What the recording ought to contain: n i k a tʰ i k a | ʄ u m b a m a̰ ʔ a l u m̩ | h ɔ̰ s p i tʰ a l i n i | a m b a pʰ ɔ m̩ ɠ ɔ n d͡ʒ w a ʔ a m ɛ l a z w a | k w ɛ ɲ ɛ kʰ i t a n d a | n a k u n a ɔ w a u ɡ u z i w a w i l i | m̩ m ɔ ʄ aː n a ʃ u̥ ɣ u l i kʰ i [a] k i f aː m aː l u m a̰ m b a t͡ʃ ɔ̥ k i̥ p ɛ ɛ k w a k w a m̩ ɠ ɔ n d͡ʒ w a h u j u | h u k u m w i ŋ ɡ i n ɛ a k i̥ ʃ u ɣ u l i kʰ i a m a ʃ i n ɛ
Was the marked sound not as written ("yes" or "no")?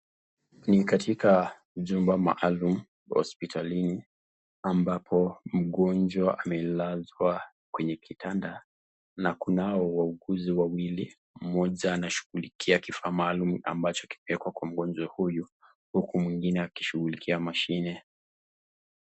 no